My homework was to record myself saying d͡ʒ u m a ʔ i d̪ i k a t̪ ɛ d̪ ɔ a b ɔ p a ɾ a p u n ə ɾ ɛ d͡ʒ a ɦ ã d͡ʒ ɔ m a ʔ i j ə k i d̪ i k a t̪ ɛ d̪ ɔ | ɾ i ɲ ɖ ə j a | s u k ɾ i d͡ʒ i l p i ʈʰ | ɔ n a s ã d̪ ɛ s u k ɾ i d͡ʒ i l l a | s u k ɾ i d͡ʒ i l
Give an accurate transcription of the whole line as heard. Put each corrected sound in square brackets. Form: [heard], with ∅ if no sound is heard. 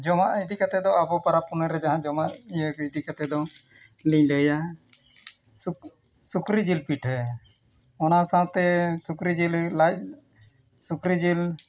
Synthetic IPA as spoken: d͡ʒ [ɔ] m a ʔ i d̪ i k a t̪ ɛ d̪ ɔ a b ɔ p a ɾ a p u n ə ɾ ɛ d͡ʒ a ɦ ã d͡ʒ ɔ m a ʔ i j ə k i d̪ i k a t̪ ɛ d̪ ɔ | [l] i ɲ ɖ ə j a | s u k ɾ i d͡ʒ i l p i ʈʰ | ɔ n a s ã [t̪] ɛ s u k ɾ i d͡ʒ i l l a | s u k ɾ i d͡ʒ i l

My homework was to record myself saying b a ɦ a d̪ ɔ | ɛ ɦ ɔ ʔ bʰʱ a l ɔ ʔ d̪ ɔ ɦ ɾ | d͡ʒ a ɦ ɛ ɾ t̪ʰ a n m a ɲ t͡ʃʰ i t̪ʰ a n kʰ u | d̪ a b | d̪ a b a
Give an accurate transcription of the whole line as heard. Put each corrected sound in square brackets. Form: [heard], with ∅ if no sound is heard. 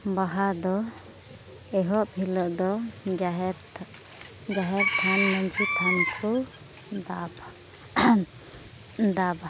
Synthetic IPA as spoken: b a ɦ a d̪ ɔ | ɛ ɦ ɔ ʔ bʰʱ [i] l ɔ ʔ d̪ ɔ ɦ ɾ | d͡ʒ a ɦ ɛ ɾ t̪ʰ a n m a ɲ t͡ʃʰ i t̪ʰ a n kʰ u | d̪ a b | d̪ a b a

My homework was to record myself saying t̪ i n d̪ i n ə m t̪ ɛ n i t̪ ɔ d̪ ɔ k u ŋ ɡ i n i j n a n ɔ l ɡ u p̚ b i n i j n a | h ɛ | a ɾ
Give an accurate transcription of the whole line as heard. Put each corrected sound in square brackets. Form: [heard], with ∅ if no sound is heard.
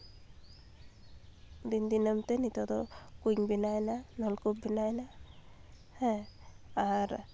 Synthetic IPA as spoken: [d̪] i n d̪ i n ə m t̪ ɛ n i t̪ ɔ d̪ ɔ k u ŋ [b] i n [a] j n a n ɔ l [k] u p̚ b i n [a] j n a | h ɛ | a ɾ

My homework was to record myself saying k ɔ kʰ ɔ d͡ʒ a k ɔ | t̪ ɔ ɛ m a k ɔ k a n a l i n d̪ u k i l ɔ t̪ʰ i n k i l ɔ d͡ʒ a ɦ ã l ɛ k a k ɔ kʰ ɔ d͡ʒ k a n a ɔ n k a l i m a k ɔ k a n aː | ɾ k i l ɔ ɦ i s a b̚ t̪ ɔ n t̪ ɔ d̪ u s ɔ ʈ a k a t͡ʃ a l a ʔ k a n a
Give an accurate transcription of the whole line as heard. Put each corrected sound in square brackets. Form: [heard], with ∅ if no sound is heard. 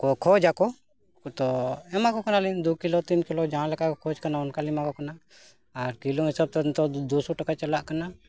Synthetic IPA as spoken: k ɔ kʰ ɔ d͡ʒ a k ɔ | t̪ ɔ ɛ m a k ɔ k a n a l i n d̪ u k i l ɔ [t̪] i n k i l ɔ d͡ʒ a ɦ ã l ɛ k a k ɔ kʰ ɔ d͡ʒ k a n a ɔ n k a l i m a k ɔ k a n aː | ɾ k i l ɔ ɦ i s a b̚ t̪ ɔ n t̪ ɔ d̪ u s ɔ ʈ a k a t͡ʃ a l a ʔ k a n a

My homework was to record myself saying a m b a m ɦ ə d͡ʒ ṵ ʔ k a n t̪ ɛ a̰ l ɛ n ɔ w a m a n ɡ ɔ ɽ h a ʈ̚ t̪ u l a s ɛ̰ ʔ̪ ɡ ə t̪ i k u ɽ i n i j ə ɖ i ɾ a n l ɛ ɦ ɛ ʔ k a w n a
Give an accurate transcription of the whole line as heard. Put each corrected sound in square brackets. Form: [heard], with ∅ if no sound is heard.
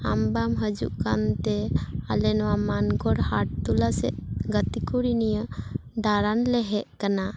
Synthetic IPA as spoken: a m b a m ɦ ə d͡ʒ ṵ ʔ k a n t̪ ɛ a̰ l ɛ n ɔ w a m a n ɡ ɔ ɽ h a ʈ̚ t̪ u l a s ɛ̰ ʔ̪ ɡ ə t̪ i k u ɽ i n i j ə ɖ [a] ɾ a n l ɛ ɦ ɛ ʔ k a [∅] n a

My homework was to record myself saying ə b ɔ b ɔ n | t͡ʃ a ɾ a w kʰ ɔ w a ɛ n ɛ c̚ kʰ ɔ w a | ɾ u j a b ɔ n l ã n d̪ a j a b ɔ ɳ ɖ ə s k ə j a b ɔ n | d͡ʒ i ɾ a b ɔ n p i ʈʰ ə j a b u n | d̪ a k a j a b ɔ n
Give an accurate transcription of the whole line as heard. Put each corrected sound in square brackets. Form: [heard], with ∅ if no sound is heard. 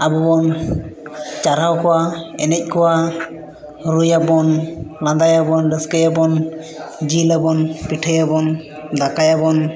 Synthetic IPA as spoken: [a] b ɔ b ɔ n | t͡ʃ a ɾ a w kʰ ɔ w a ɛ n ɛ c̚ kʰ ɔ w a | ɾ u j a b ɔ n l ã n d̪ a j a b ɔ [n] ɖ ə s k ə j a b ɔ n | d͡ʒ i [l] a b ɔ n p i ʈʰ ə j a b [ɔ] n | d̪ a k a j a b ɔ n

